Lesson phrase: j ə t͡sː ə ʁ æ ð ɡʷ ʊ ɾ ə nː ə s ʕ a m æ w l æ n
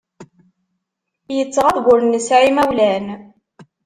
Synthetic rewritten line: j ə t͡sː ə ʁ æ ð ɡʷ ʊ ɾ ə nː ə s ʕ i m æ w l æ n